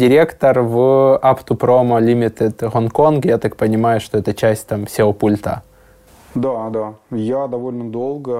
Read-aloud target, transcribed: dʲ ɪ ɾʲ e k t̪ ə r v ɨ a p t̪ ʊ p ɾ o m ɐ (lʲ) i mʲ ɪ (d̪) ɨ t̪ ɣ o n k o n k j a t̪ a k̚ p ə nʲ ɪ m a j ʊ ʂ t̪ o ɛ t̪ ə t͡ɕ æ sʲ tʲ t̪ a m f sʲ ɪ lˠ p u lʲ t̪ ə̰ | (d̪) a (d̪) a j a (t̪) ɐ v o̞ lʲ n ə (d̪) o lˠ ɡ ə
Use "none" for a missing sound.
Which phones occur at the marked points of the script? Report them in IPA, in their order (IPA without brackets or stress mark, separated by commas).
lʲ, t̪, d̪, d̪, d̪, d̪